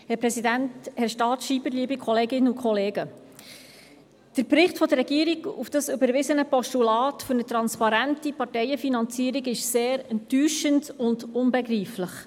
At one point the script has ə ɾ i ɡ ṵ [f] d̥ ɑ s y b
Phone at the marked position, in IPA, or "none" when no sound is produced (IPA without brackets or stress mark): f